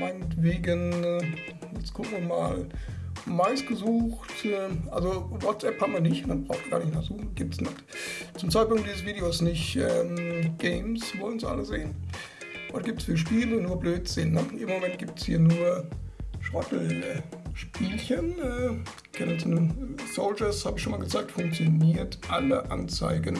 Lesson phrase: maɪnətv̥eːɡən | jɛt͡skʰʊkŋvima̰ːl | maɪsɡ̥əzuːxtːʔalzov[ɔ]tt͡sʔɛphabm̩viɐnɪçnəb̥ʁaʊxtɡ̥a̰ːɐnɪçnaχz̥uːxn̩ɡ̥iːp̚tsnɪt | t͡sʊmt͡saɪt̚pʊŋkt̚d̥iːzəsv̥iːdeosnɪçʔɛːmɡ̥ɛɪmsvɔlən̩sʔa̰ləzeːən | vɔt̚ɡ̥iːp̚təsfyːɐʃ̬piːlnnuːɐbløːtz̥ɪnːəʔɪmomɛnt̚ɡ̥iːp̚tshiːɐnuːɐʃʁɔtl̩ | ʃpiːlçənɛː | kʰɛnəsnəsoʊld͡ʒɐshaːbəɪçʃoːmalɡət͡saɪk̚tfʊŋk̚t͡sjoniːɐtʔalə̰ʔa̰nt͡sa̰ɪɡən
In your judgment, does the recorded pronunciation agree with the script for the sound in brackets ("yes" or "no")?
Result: yes